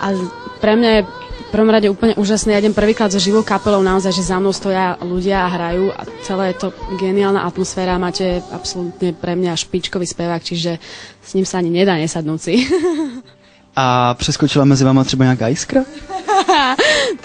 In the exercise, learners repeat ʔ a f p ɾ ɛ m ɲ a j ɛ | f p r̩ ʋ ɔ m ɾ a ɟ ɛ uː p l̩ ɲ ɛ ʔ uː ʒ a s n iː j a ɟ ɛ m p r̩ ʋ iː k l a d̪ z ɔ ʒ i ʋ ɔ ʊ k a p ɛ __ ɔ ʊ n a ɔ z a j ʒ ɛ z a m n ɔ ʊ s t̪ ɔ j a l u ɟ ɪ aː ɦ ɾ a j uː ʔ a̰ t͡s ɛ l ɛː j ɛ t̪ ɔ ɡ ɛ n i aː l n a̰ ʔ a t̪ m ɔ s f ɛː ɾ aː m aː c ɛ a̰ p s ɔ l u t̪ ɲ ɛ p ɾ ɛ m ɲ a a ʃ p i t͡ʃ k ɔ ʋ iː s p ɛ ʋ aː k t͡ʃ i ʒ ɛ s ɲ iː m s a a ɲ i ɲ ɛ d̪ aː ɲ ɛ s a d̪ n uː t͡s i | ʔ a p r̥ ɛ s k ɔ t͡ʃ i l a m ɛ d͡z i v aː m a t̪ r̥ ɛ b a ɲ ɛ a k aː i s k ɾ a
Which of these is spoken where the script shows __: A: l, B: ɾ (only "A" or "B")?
A